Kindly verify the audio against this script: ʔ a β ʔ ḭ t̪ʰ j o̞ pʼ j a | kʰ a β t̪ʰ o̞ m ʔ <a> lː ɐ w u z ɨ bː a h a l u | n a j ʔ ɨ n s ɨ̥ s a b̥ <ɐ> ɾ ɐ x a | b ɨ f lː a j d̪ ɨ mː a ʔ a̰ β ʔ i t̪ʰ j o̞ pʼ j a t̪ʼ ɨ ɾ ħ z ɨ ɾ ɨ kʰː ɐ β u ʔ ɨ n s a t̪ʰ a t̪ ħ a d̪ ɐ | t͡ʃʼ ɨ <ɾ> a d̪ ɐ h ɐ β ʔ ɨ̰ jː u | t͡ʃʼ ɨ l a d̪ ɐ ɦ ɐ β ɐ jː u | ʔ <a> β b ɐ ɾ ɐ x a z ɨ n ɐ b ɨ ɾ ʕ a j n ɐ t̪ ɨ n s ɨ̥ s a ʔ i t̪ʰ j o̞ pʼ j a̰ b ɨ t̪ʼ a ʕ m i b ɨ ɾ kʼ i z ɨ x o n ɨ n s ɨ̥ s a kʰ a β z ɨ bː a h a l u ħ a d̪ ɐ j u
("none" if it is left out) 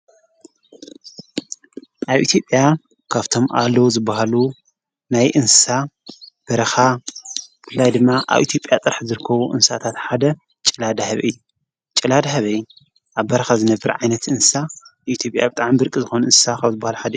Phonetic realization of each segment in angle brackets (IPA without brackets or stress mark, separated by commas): a, ɐ, l, a